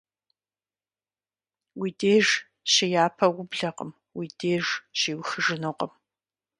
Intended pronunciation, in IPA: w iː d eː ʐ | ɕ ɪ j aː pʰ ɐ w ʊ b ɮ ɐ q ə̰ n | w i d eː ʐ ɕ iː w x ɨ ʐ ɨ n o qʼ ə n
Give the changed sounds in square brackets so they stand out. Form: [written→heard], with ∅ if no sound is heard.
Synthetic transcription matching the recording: w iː d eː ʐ | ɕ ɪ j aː pʰ ɐ w ʊ b ɮ ɐ q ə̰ [n→m] | w i d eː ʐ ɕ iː w x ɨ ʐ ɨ n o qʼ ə [n→m]